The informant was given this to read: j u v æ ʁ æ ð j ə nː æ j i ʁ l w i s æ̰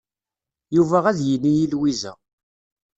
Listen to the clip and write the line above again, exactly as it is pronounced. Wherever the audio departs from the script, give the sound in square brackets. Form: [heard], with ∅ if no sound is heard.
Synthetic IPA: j u v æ ʁ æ ð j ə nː [i] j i [∅] l w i [z] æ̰

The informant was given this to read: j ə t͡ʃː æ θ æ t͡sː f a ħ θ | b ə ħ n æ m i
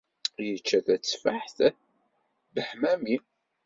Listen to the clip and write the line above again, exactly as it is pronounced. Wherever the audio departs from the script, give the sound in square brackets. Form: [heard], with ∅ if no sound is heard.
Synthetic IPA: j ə t͡ʃː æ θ æ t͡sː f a ħ θ | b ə ħ [m] æ m i

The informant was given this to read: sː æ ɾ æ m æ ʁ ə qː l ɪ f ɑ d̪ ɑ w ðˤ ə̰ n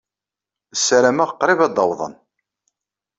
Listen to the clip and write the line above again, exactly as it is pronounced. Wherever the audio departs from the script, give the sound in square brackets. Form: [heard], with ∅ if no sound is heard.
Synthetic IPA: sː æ ɾ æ m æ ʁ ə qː [ɾ] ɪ [v] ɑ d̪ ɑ w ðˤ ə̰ n

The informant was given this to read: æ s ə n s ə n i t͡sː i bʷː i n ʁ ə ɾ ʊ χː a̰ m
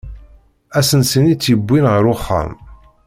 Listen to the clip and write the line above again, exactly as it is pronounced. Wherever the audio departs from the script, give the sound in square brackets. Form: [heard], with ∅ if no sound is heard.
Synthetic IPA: æ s ə n s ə n i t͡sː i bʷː i n ʁ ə ɾ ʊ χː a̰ m

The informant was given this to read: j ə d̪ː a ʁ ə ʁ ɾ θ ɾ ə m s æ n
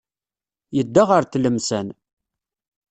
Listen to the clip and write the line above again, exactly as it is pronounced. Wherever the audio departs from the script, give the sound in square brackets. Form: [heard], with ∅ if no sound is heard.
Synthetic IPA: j ə d̪ː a ʁ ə [∅] ɾ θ [l] ə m s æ n

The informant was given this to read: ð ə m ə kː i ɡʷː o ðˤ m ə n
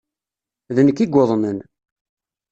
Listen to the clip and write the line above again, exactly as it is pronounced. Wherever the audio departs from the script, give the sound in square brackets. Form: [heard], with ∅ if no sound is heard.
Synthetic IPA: ð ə [n] ə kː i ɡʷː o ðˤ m ə n

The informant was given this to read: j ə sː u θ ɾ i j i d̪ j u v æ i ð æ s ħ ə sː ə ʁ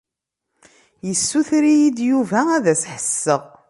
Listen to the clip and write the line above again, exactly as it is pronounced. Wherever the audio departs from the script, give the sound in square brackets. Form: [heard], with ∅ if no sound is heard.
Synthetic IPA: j ə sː u θ ɾ i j i d̪ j u v æ [æ] ð æ s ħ ə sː ə ʁ

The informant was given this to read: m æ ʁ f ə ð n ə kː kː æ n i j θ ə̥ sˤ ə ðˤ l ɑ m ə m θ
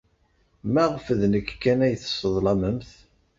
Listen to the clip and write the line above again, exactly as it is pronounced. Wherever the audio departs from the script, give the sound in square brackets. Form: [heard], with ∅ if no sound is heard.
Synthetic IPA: m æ ʁ f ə ð n ə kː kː æ n [æ] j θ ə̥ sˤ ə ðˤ l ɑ m ə m θ

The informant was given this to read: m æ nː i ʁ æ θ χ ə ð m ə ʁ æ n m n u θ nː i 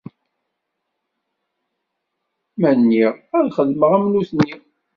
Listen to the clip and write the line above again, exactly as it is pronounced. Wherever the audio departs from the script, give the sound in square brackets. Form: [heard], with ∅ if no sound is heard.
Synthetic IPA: m æ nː i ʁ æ [ð] χ ə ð m ə ʁ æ [∅] m n u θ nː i

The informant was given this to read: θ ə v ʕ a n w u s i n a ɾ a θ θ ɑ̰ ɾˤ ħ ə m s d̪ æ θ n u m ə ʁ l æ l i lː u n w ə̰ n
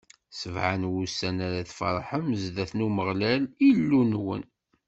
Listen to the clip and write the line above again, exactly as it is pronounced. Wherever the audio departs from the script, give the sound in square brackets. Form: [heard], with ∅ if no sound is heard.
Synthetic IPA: [s] ə v ʕ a n w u s [æ] n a ɾ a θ [f] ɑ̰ ɾˤ ħ ə m [z] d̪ æ θ n u m ə ʁ l æ l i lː u n w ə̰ n

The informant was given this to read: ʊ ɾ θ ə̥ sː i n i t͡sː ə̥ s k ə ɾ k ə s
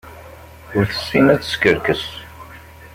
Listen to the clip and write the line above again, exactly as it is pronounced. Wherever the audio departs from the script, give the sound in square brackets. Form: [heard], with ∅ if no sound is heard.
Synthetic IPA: ʊ ɾ θ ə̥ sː i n [æ] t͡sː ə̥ s k ə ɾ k ə s

